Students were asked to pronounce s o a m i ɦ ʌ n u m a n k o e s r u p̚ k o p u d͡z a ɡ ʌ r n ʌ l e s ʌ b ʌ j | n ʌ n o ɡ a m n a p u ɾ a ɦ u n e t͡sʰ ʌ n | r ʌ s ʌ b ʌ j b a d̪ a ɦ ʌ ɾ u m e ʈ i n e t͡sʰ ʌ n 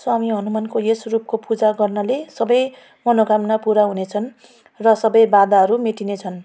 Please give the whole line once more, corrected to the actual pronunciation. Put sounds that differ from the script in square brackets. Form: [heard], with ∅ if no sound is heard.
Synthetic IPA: s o a m i ɦ ʌ n u m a n k o e s r u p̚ k o p u d͡z a ɡ ʌ r n ʌ l e s ʌ b ʌ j | [m] ʌ n o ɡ a m n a p u ɾ a ɦ u n e t͡sʰ ʌ n | r ʌ s ʌ b ʌ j b a d̪ a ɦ ʌ ɾ u m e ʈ i n e t͡sʰ ʌ n